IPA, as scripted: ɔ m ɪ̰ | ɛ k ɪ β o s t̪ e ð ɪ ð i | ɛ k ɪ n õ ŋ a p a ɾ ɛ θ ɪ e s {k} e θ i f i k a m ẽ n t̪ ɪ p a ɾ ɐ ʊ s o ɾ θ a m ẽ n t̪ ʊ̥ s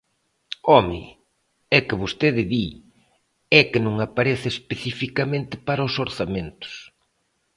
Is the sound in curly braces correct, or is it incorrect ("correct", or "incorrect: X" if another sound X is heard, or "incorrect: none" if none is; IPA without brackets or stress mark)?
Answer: incorrect: p